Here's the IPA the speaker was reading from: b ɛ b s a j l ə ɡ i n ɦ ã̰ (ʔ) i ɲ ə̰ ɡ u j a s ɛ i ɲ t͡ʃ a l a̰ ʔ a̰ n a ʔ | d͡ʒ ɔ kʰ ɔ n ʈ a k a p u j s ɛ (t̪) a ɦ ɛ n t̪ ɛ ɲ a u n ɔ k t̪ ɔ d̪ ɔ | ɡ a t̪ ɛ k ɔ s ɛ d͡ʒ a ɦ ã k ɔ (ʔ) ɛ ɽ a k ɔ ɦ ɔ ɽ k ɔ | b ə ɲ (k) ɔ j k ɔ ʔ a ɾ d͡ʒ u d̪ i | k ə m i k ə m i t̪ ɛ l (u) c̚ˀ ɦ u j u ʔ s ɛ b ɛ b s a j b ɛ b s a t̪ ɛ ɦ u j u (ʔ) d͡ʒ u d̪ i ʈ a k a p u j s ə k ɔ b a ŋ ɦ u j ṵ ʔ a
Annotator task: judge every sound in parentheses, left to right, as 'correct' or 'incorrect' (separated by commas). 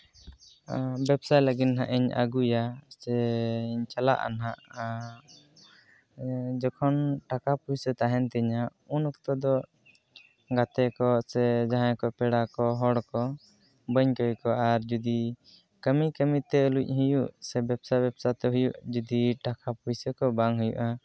correct, correct, incorrect, correct, correct, correct